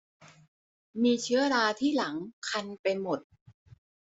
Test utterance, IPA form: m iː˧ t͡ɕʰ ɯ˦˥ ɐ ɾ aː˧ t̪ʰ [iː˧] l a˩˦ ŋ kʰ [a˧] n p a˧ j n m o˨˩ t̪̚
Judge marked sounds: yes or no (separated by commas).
no, yes